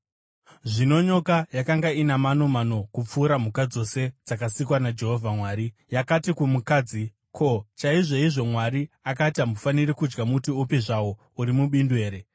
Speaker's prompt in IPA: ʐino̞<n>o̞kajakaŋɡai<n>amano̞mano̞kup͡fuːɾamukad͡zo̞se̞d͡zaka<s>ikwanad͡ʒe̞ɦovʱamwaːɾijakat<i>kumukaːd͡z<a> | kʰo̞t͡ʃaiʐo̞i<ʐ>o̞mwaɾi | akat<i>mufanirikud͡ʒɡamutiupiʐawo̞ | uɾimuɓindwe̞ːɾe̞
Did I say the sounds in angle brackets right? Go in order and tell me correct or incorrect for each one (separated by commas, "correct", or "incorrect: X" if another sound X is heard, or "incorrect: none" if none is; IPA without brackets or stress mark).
incorrect: ɲ, correct, correct, correct, incorrect: i, correct, incorrect: a